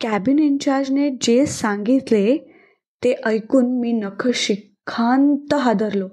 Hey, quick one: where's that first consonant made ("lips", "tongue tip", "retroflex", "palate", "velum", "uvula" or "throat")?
velum